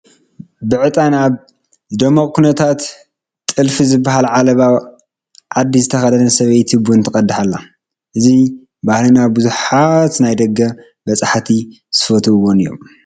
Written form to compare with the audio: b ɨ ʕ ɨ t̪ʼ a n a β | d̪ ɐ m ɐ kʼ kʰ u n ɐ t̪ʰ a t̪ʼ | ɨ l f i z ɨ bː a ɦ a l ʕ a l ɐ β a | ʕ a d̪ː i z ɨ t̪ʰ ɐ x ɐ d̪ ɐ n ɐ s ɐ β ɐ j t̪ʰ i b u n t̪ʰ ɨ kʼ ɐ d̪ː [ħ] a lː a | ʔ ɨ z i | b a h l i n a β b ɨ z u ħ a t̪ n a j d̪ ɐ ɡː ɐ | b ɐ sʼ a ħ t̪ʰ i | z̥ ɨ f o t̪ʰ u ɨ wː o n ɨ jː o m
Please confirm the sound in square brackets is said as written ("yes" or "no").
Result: yes